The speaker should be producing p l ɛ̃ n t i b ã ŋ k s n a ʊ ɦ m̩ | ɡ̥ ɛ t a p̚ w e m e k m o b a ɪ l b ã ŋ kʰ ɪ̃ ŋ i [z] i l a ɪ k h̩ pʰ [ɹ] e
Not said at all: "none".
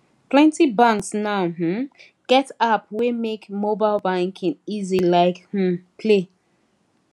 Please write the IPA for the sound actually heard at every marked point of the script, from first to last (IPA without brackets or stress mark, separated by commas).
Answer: z, l